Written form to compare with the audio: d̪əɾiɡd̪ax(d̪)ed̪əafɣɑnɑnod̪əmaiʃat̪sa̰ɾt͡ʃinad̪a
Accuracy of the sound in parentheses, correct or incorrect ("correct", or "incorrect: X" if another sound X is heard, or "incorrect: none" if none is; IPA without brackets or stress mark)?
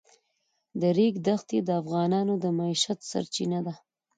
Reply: incorrect: t̪